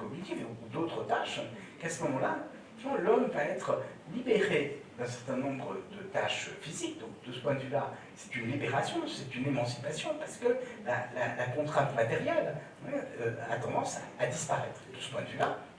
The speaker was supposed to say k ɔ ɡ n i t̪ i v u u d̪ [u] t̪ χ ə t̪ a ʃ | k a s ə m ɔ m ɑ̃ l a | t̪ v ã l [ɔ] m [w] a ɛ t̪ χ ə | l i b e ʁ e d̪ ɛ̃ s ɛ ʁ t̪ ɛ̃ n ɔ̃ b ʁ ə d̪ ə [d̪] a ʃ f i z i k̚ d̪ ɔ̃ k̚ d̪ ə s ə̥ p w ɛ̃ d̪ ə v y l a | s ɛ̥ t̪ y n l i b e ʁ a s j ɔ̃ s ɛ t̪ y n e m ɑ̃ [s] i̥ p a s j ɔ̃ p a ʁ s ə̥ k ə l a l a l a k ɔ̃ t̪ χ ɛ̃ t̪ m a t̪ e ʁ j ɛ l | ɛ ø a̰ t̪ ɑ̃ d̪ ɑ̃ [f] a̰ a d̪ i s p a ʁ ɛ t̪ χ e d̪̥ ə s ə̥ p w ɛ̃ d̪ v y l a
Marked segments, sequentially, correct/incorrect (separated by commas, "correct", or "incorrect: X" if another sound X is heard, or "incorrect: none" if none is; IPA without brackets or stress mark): incorrect: o, correct, incorrect: v, incorrect: t̪, correct, incorrect: s